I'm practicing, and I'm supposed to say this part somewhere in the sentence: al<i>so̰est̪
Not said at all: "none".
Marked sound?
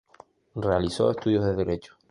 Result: i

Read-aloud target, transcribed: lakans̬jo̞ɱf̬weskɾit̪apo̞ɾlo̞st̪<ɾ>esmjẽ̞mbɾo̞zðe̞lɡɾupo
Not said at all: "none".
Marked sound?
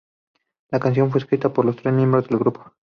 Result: ɾ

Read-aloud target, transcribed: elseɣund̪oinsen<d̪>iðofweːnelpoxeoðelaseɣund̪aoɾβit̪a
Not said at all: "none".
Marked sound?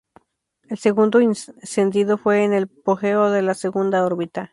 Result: d̪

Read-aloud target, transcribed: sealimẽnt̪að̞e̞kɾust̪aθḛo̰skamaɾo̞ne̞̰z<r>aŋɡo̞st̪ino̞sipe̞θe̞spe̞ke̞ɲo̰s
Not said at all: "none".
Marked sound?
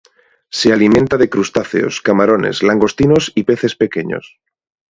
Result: l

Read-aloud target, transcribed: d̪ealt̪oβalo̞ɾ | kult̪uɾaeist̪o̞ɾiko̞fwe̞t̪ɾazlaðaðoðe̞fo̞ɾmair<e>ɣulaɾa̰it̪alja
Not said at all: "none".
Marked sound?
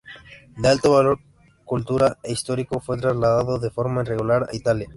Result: e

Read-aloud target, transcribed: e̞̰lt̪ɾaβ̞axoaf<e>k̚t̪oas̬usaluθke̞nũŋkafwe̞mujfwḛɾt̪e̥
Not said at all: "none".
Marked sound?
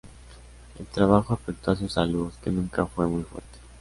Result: e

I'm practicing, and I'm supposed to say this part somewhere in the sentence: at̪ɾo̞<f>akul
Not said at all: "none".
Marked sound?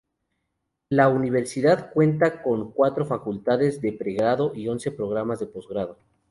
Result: f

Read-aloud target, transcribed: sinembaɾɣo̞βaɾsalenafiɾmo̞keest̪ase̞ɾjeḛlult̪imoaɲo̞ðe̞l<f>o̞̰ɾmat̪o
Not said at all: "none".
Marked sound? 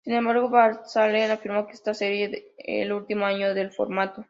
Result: f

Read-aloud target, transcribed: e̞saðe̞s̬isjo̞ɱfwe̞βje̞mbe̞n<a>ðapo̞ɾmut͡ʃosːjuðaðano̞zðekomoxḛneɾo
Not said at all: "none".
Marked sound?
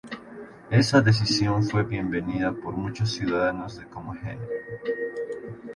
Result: i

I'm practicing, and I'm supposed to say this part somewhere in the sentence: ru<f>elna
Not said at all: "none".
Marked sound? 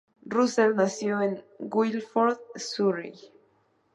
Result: s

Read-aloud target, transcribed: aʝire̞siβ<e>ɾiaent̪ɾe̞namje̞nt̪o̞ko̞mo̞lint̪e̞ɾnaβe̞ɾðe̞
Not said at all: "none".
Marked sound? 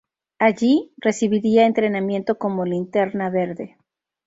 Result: i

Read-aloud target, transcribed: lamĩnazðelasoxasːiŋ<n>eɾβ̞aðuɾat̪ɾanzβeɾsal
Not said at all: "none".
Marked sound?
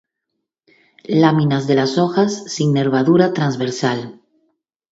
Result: n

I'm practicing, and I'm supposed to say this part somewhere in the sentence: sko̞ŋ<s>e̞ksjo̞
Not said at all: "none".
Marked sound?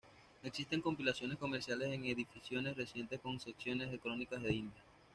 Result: s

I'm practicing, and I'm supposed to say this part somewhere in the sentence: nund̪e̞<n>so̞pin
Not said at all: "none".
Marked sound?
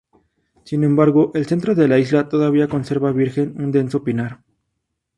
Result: n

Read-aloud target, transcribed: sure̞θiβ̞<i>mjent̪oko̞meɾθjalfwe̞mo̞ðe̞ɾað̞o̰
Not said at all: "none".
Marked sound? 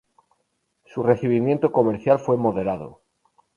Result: i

